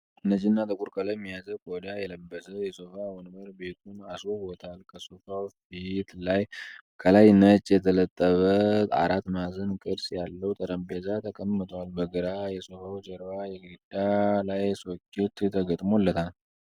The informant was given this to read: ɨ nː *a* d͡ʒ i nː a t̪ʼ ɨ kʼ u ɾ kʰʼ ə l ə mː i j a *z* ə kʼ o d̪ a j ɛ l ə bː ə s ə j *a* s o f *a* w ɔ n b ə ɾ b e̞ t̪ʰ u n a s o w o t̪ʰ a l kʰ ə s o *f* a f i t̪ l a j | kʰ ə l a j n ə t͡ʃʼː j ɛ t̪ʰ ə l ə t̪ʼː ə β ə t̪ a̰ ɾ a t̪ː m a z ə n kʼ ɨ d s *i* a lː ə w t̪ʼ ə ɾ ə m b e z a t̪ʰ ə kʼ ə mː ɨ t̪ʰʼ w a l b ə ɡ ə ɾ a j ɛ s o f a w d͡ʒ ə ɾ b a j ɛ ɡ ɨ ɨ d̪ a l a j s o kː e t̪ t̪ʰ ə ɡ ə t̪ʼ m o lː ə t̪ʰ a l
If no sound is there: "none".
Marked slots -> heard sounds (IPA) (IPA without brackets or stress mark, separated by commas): ə, z, ɛ, a, f, j